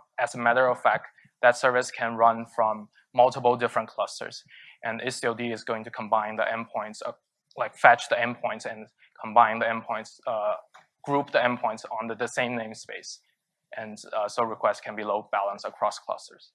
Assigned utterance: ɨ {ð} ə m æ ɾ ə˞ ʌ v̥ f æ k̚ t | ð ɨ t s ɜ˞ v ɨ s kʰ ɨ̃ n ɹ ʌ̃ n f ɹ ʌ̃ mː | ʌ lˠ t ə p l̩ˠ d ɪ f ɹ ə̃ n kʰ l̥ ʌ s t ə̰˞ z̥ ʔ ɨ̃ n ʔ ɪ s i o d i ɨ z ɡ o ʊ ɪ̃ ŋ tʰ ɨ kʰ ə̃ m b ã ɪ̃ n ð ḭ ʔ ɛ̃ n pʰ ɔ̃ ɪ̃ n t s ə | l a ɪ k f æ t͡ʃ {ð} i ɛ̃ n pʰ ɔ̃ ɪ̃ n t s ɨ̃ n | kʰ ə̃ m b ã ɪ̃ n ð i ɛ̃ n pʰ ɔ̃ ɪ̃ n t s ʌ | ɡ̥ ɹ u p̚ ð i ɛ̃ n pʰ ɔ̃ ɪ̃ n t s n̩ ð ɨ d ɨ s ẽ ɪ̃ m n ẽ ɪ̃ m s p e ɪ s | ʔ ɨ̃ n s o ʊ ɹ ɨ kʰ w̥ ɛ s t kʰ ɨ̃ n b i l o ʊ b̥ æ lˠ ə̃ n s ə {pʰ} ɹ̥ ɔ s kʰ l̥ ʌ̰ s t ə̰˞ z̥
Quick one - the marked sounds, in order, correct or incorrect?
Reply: incorrect, correct, incorrect

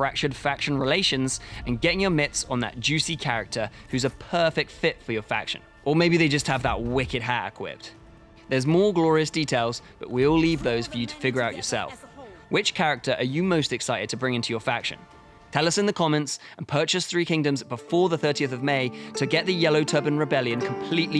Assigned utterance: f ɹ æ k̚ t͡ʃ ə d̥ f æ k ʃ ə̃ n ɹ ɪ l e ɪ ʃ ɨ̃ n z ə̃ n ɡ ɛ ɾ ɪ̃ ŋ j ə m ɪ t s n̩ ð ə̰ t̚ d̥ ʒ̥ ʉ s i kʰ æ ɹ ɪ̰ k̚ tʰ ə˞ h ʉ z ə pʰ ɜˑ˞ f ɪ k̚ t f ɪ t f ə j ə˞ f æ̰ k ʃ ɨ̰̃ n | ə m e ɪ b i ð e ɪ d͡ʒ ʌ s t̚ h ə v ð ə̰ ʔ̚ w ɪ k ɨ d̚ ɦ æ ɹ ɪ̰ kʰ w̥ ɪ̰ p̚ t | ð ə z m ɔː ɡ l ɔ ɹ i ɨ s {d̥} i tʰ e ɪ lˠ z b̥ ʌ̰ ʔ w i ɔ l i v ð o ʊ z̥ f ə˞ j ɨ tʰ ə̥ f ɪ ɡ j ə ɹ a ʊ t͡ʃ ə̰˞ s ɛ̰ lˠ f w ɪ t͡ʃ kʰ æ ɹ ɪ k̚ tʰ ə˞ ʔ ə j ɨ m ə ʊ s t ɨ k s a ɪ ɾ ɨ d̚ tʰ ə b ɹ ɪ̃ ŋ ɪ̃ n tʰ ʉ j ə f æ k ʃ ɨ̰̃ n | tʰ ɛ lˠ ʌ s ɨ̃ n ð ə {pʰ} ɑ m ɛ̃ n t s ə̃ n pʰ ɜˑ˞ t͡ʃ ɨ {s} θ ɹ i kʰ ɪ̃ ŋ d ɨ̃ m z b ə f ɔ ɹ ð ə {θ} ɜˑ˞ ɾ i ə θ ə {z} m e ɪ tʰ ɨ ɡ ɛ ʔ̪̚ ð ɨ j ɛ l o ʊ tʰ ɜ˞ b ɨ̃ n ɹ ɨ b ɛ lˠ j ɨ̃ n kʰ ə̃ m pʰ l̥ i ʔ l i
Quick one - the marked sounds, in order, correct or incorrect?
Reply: correct, incorrect, correct, correct, incorrect

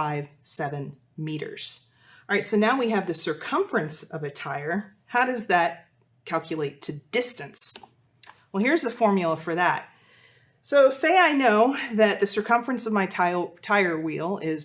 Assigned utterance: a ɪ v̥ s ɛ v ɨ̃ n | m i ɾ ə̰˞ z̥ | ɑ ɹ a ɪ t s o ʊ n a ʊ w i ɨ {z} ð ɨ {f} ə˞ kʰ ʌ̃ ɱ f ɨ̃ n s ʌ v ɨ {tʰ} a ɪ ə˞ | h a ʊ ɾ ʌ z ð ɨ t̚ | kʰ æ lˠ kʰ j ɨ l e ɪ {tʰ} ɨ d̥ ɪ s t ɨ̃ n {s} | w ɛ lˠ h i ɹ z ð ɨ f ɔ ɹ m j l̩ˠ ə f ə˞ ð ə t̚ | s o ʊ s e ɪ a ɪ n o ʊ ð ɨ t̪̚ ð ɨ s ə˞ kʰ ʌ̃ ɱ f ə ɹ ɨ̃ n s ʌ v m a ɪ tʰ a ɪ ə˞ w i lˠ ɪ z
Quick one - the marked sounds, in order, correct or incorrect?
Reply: incorrect, incorrect, correct, correct, correct

